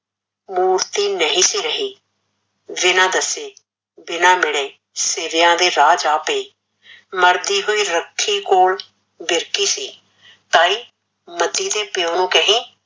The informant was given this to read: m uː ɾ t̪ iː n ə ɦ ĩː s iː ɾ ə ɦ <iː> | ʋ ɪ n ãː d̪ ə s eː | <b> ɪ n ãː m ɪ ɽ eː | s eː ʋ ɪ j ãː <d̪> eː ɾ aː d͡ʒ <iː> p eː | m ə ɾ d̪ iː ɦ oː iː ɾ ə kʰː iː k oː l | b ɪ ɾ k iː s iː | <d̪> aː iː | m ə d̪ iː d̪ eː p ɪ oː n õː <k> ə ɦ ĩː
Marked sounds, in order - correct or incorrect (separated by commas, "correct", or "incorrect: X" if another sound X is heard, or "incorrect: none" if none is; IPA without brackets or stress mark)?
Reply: correct, correct, correct, incorrect: aː, incorrect: t̪, correct